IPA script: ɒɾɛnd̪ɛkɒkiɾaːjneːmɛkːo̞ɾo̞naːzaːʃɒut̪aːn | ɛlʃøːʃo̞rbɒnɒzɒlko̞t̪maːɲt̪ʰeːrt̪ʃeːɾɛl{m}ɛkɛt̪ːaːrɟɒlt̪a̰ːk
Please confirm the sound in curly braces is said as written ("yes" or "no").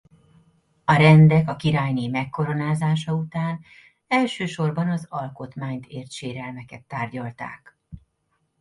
yes